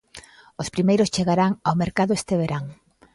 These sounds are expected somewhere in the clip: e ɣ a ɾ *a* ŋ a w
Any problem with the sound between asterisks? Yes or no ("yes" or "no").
no